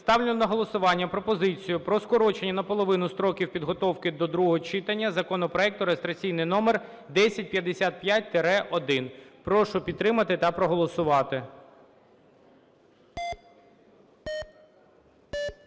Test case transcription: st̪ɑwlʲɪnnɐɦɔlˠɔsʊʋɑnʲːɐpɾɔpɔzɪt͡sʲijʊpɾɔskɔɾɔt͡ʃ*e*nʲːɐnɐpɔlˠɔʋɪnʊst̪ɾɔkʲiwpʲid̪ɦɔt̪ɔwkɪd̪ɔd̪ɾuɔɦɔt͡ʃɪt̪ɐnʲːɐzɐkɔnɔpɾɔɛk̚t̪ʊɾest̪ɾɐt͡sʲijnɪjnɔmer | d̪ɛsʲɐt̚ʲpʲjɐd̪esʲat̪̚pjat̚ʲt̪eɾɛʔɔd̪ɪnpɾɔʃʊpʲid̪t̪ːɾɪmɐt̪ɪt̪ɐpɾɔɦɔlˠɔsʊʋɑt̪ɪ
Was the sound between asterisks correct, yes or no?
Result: yes